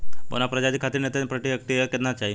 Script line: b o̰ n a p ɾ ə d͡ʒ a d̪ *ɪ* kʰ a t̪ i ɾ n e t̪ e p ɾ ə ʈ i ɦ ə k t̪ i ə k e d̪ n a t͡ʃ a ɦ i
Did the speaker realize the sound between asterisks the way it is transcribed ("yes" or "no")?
no